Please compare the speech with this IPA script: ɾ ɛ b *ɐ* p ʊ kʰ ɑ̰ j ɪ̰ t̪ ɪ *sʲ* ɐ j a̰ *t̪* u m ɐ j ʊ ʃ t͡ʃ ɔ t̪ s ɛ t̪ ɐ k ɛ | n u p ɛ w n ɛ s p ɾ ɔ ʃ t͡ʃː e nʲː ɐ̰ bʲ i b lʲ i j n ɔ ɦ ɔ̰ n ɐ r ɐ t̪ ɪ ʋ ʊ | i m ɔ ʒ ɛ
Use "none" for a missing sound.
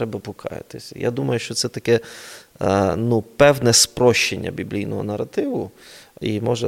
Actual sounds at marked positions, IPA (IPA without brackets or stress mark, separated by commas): ɐ, sʲ, d̪